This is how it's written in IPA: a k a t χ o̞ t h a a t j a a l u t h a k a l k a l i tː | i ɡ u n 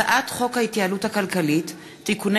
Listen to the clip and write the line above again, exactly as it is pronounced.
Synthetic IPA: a ʔ a t χ o̞ k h a i t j a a l u t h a k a l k a l i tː | i k u n